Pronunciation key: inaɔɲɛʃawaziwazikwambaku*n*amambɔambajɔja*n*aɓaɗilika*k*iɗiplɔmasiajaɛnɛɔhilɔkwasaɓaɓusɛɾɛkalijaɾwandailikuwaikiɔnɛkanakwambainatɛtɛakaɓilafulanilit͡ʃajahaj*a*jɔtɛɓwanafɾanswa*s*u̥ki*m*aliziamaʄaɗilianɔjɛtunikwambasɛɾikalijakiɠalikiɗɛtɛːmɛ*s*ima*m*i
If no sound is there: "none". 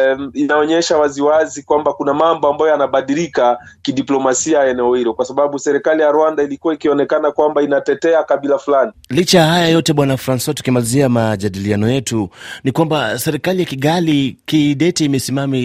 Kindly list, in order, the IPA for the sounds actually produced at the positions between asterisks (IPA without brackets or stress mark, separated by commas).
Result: n, n, k, a, t, m, s, m